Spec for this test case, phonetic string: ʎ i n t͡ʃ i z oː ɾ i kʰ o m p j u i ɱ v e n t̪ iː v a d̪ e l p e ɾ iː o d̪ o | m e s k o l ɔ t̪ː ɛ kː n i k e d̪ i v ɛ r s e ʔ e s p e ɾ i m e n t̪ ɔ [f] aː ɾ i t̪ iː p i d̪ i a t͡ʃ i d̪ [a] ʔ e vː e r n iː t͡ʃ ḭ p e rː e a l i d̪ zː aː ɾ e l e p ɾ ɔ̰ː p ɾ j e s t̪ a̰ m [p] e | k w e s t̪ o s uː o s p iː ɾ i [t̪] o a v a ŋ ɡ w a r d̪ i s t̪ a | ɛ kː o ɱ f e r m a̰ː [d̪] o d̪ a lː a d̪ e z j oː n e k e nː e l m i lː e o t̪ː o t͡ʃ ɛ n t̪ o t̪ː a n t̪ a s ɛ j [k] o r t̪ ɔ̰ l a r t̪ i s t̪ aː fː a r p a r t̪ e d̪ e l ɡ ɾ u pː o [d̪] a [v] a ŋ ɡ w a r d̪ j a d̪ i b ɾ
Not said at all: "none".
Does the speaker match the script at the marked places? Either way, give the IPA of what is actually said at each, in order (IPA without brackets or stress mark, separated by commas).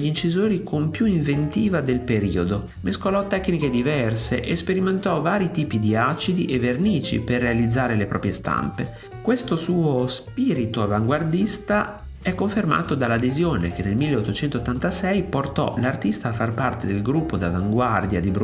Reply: v, i, p, t̪, t̪, p, d̪, v